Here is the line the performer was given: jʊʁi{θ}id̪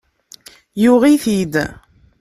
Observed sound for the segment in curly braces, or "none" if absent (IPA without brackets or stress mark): θ